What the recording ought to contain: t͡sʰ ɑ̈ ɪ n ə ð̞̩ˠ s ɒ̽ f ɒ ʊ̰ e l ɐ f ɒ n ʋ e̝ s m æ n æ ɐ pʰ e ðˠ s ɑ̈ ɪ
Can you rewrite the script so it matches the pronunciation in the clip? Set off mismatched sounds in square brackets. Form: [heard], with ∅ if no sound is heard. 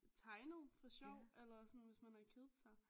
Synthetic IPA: t͡sʰ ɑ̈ ɪ n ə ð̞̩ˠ [f] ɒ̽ [ɕ] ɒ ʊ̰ e l ɐ [s] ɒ n ʋ e̝ s m æ n æ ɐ [kʰ] e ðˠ s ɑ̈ ɪ